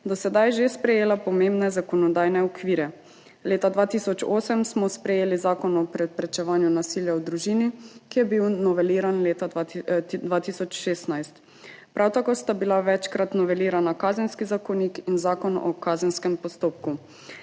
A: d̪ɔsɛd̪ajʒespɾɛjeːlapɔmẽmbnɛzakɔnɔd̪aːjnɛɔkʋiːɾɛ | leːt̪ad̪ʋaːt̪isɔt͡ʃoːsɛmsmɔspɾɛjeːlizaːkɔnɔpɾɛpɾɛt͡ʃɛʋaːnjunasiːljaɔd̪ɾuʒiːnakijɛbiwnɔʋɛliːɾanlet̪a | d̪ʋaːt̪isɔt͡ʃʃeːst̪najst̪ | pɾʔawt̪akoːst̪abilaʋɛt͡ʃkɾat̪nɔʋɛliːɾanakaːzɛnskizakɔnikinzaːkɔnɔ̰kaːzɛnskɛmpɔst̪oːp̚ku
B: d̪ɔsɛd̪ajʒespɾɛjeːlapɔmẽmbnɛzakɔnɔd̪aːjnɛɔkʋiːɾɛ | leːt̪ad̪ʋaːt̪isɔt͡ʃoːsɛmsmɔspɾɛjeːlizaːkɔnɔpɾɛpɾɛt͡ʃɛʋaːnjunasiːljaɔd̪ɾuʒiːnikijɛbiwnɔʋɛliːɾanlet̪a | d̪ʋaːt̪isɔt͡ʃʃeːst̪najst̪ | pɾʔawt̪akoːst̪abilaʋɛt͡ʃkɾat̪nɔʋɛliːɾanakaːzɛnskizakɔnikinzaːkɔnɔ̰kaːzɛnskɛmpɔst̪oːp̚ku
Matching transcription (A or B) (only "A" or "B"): B